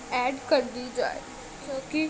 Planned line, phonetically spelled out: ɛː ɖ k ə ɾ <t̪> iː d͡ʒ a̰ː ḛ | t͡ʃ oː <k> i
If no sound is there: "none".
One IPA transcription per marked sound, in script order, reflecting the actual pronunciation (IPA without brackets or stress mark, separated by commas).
d̪, k